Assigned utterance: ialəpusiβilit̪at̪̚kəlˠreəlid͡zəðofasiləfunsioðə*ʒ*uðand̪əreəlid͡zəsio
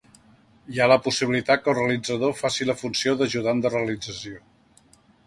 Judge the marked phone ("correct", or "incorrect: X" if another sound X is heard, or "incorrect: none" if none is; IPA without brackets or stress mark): correct